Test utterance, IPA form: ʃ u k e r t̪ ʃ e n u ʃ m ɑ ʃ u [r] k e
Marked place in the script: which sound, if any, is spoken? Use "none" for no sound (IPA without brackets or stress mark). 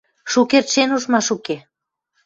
none